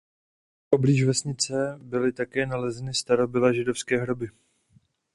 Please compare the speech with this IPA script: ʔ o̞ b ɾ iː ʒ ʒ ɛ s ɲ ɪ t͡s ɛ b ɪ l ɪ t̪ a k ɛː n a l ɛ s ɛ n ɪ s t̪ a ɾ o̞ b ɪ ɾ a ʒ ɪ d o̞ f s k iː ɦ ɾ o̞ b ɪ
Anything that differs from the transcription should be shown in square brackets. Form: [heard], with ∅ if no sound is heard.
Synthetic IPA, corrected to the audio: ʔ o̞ b [l] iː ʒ [v] ɛ s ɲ ɪ t͡s ɛ b ɪ l ɪ t̪ a k ɛː n a l ɛ [z] ɛ n ɪ s t̪ a ɾ o̞ b ɪ [l] a ʒ ɪ d o̞ f s k [ɛː] ɦ ɾ o̞ b ɪ